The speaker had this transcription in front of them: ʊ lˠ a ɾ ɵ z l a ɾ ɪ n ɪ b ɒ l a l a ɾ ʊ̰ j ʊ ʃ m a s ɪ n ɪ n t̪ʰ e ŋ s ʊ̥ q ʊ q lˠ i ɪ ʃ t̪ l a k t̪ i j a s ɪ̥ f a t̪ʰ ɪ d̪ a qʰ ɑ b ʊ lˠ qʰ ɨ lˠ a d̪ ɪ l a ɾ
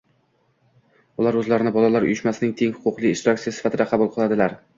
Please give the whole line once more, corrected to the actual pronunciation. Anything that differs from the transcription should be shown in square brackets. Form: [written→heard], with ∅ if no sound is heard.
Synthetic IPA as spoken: ʊ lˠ a ɾ ɵ z l a ɾ ɪ n ɪ b ɒ l a l a ɾ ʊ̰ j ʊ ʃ m a s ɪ n ɪ [n→ŋ] t̪ʰ e ŋ [s→h] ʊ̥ q ʊ q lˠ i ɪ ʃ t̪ [l→ɾ] a k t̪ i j a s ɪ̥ f a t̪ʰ ɪ d̪ a qʰ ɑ b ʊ lˠ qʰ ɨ lˠ a d̪ ɪ l a ɾ